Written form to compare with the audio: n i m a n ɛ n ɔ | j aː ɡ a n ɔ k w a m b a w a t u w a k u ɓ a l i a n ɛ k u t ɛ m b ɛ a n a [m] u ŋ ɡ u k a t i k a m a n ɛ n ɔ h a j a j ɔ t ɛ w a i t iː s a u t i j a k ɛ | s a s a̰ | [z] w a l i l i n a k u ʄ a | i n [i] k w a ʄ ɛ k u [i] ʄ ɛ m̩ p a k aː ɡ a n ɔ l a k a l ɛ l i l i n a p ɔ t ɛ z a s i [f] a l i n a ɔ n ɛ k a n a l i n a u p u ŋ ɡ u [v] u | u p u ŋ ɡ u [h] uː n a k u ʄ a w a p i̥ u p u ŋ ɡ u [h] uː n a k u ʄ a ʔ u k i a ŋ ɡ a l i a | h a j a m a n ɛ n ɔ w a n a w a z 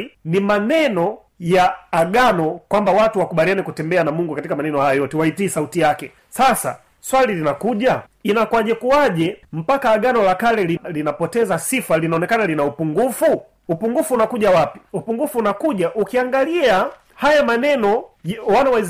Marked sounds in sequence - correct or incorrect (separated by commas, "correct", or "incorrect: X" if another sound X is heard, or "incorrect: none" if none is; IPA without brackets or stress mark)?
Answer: correct, incorrect: s, incorrect: a, incorrect: a, correct, incorrect: f, incorrect: f, incorrect: f